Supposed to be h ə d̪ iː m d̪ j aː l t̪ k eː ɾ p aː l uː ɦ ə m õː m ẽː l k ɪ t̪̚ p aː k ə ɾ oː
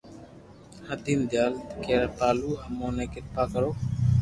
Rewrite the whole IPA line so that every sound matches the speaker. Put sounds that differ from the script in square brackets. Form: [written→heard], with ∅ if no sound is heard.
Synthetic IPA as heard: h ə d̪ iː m d̪ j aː l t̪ k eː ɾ p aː l uː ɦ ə m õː [m→n] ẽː [l→∅] k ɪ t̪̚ p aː k ə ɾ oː